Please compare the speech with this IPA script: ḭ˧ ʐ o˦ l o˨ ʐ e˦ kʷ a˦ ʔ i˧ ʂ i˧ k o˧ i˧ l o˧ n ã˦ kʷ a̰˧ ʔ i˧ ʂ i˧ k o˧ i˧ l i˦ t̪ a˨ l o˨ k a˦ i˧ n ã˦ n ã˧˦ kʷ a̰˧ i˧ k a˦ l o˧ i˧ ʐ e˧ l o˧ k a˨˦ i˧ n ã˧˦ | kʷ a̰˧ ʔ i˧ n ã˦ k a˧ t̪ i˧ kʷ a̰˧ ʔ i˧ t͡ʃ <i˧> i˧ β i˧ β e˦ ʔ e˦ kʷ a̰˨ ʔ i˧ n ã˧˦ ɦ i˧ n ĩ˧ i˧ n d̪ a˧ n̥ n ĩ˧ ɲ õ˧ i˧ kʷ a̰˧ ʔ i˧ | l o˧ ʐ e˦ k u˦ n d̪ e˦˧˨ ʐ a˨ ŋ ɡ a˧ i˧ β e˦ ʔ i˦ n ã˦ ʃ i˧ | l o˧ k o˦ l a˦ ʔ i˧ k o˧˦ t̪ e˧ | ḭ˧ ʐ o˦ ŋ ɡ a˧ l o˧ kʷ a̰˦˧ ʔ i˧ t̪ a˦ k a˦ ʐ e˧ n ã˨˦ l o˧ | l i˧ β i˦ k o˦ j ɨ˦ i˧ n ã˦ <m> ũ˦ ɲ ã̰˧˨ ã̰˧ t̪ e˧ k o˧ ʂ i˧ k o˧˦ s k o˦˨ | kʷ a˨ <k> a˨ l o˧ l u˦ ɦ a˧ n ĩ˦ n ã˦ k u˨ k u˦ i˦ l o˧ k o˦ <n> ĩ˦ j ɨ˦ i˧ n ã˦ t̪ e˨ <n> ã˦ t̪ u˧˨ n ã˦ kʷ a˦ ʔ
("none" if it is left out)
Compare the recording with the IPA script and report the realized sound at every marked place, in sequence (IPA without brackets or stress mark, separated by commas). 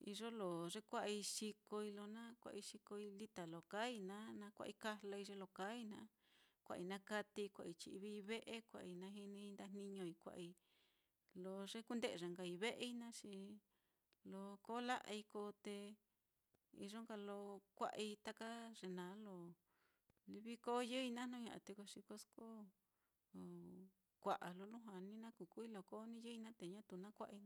i˧, n, ʔ, n, ɲ